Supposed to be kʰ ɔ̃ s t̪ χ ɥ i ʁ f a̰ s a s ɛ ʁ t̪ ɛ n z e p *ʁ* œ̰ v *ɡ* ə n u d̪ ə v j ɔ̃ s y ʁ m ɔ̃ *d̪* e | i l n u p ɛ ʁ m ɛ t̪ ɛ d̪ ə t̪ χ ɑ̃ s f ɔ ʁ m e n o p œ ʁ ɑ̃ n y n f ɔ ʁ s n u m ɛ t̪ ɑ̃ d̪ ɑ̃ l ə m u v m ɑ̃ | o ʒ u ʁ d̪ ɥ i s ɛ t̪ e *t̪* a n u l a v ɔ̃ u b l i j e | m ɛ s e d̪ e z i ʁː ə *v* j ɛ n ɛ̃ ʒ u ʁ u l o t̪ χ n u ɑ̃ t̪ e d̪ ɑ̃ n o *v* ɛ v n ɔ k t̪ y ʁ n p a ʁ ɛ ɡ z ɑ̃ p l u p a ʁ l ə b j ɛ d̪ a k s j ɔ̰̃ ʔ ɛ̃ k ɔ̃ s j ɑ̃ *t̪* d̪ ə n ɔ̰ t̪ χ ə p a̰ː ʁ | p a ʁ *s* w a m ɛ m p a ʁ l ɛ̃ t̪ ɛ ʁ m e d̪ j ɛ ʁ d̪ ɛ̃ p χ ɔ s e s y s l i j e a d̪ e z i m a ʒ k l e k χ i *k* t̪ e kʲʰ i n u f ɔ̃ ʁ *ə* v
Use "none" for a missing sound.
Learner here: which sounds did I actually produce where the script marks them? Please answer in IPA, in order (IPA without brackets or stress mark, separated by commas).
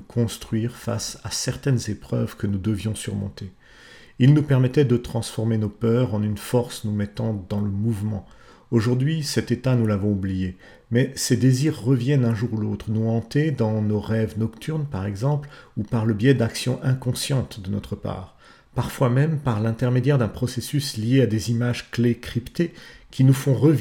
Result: χ, k, t̪, t̪, v, ʁ, t̪, f, p, ə